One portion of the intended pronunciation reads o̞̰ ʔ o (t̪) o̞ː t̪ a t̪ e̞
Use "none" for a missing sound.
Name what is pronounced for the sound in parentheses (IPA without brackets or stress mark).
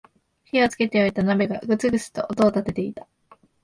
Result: t̪